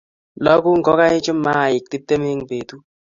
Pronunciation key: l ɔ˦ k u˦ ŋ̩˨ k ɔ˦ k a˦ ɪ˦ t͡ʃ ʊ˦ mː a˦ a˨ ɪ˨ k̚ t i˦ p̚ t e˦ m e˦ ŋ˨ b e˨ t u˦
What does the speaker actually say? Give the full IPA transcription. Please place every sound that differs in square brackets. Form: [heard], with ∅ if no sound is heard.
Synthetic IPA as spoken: l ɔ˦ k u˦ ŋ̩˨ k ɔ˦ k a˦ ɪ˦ t͡ʃ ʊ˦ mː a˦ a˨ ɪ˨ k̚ t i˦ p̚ t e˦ m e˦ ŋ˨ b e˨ t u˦